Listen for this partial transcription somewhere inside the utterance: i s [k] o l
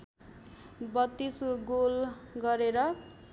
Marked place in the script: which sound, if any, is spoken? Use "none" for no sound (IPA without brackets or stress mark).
ɡ